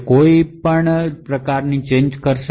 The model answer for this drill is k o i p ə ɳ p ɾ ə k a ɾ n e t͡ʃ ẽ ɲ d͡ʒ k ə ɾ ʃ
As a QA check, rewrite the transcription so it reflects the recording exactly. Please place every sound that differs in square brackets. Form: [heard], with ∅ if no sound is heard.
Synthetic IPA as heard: k o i p ə ɳ p ɾ ə k a ɾ n [i] t͡ʃ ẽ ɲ d͡ʒ k ə ɾ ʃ